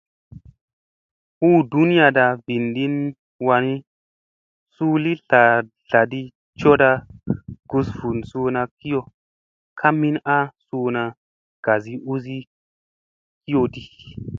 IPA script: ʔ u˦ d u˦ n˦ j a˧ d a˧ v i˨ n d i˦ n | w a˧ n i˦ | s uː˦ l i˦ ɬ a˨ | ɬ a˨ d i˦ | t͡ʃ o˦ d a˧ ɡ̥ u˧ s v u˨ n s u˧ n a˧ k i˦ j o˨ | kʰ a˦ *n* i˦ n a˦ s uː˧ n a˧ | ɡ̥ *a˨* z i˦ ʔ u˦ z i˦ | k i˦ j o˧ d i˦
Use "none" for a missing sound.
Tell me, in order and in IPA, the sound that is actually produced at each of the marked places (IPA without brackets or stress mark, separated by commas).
m, a˨